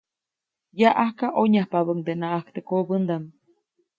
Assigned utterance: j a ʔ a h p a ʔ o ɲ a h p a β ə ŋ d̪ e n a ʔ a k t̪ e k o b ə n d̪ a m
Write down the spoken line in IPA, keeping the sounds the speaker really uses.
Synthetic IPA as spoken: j a ʔ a h k a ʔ o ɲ a h p a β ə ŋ d̪ e n a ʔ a k t̪ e k o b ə n d̪ a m

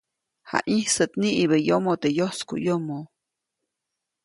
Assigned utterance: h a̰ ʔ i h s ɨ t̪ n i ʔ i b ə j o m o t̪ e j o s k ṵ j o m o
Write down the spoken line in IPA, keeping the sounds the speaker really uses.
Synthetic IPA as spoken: h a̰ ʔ i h s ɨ t̪ n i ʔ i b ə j o m o t̪ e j o s k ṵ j o m o

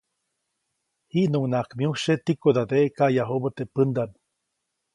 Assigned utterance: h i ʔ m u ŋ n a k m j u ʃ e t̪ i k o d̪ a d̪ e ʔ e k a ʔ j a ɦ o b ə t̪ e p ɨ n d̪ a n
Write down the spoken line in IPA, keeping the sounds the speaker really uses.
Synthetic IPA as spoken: h i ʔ n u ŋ n a k m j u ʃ e t̪ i k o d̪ a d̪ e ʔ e k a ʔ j a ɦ o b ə t̪ e p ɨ n d̪ a n

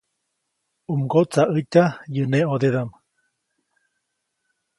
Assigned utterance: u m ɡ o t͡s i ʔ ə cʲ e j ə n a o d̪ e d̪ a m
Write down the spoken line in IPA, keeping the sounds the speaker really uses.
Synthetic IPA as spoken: u m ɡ o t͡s a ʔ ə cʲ a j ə n e o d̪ e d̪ a m

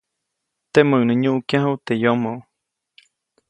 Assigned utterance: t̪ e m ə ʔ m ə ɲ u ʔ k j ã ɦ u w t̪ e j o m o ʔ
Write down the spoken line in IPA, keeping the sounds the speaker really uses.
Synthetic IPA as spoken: t̪ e m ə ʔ n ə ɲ u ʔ k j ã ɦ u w t̪ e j o m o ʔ

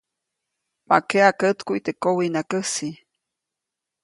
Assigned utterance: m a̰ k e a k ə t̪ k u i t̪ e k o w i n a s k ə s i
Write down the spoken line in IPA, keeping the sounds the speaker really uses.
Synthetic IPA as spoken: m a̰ k e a k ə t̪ k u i t̪ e k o w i n a k ə s i

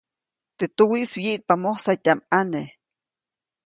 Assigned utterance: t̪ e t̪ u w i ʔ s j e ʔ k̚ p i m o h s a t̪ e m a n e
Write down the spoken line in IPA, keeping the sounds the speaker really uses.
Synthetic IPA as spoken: t̪ e t̪ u w i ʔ s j i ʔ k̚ p a m o h s a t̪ a m a n e

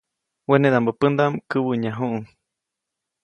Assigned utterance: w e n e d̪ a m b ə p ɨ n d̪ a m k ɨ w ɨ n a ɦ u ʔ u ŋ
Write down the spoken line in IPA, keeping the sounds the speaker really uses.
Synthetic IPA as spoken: w e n e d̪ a m b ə p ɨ n d̪ a m k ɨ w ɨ ɲ a ɦ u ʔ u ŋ

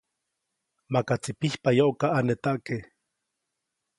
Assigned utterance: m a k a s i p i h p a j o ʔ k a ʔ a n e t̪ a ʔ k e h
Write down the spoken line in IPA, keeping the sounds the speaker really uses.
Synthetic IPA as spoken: m a k a t͡s i p i h p a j o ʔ k a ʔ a n e t̪ a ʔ k e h

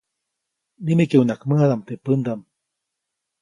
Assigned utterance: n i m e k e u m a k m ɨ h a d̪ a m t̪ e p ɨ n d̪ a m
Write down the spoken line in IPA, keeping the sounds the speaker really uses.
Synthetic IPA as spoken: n i m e k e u n a k m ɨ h a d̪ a m t̪ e p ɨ n d̪ a m

